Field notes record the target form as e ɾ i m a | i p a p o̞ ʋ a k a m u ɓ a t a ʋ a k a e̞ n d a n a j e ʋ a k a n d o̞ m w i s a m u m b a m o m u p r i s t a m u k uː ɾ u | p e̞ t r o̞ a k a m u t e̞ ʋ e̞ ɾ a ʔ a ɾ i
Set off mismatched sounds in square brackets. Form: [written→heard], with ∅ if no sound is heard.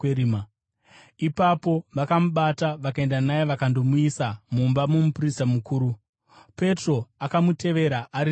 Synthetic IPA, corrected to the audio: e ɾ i m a | i p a p o̞ ʋ a k a m u ɓ a t a ʋ a k a e̞ n d a n a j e ʋ a k a n d o̞ m [w→u] i s a m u m b a m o m u p r i s t a m u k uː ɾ u | p e̞ t r o̞ a k a m u t e̞ ʋ e̞ ɾ a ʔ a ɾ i